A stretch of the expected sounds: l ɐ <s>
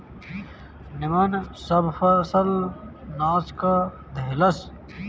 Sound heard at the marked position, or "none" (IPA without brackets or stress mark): s